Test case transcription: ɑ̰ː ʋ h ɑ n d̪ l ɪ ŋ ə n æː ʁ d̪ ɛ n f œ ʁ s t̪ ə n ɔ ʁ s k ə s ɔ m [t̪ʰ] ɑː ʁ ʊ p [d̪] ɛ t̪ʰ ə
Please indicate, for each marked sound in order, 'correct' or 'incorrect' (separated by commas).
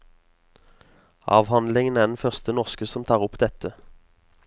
correct, correct